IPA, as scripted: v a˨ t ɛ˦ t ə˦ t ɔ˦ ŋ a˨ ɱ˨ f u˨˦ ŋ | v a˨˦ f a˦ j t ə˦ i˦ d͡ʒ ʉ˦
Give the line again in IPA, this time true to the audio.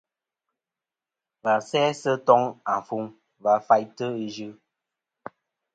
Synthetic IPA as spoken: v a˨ s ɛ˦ s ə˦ t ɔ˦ ŋ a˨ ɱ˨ f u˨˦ ŋ | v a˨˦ f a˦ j t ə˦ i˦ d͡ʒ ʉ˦